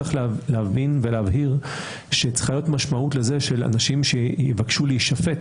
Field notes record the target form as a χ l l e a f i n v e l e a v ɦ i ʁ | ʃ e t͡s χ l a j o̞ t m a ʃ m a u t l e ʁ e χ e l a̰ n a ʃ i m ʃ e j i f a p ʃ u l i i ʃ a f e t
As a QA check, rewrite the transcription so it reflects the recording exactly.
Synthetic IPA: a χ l l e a v i n v e l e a v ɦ i ʁ | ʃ e t͡s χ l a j o̞ t m a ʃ m a u t l e z e ʃ e l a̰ n a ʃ i m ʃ e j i v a k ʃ u l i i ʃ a f e t